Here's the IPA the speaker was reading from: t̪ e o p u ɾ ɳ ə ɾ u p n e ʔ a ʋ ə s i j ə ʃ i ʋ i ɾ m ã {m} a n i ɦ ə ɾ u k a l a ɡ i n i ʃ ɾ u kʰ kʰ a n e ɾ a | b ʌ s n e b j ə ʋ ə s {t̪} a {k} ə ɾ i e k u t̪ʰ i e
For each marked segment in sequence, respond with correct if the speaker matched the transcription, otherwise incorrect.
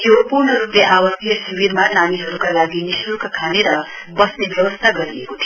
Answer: incorrect: n, incorrect: t̪ʰ, incorrect: ɡ

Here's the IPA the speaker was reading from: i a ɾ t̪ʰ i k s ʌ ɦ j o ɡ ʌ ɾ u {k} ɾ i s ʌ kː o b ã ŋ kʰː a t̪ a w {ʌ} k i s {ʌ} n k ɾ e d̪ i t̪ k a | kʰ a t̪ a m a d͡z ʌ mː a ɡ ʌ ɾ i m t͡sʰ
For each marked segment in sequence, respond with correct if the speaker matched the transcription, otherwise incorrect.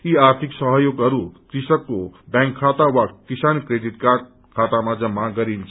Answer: correct, incorrect: a, incorrect: a

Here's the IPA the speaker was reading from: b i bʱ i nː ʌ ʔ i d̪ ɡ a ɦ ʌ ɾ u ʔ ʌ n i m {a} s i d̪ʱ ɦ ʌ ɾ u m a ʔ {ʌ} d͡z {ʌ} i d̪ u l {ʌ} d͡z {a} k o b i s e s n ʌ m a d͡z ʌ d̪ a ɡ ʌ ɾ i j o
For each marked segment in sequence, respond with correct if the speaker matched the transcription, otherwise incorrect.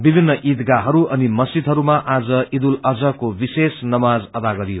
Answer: incorrect: ʌ, incorrect: a, correct, correct, incorrect: ʌ

